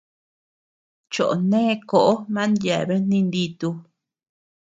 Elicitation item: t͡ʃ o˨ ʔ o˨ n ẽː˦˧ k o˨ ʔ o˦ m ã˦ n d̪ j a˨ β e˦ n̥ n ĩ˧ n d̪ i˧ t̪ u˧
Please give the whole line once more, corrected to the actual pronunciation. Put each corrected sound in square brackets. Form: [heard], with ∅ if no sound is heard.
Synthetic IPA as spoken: t͡ʃ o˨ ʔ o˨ n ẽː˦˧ k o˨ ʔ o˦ m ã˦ n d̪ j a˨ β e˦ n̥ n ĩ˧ n d̪ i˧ t̪ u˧